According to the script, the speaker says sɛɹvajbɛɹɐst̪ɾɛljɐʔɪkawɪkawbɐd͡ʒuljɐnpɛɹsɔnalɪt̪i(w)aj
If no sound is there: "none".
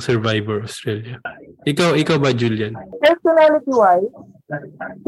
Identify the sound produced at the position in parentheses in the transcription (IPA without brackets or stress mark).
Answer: w